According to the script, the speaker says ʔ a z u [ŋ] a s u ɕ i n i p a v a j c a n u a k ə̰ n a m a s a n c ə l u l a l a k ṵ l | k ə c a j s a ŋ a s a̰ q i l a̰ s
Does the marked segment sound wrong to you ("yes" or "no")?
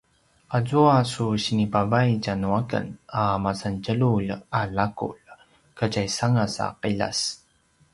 yes